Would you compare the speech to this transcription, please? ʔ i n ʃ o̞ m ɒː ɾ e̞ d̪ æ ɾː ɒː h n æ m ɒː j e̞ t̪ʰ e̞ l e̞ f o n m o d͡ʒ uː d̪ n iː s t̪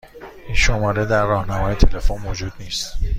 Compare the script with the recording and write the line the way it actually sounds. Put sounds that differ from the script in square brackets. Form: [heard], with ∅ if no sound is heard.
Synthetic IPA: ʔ i n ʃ o̞ m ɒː ɾ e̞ d̪ æ ɾː ɒː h n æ m ɒː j e̞ t̪ʰ e̞ l e̞ f o n m o d͡ʒ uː d̪ n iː s t̪